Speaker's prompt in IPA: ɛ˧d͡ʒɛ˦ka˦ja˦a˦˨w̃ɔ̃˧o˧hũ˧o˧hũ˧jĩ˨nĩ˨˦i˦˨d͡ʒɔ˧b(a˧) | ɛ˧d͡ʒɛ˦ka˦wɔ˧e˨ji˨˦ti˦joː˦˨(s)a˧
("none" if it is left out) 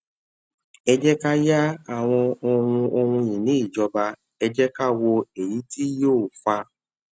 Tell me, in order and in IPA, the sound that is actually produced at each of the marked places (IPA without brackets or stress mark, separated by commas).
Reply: a˧, f